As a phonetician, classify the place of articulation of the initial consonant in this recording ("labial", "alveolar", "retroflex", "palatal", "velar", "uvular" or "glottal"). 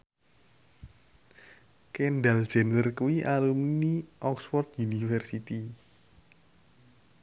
velar